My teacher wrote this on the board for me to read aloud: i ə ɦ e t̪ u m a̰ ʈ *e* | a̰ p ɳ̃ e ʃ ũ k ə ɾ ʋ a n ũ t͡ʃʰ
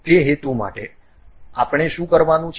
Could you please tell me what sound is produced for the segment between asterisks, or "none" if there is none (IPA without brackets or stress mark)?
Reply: e